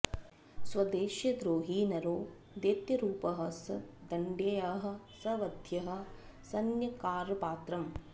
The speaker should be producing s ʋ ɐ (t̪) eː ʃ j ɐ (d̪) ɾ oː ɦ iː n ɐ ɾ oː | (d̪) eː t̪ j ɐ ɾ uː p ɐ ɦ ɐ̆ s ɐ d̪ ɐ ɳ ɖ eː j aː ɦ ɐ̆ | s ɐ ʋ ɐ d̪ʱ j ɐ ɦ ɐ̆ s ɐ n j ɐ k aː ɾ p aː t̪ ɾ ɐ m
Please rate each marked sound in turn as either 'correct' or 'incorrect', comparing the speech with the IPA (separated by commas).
incorrect, correct, correct